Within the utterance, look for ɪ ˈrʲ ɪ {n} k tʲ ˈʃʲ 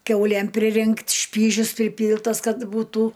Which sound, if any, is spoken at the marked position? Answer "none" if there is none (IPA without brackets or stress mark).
ŋ